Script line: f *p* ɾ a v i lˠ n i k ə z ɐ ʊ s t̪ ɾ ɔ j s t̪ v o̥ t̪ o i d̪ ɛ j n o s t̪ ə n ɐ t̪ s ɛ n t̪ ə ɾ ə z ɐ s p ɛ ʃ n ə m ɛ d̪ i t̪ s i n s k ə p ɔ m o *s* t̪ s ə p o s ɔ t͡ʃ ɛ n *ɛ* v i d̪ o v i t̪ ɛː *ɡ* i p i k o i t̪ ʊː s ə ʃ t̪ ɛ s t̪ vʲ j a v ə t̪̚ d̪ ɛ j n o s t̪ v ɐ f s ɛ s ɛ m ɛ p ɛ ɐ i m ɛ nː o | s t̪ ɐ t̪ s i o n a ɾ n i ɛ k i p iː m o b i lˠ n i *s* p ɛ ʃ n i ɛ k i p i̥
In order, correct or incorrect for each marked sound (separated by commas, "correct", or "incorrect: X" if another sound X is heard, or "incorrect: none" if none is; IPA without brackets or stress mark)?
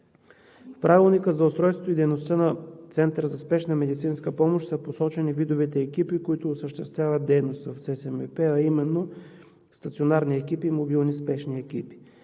correct, incorrect: ʃ, incorrect: i, incorrect: k, correct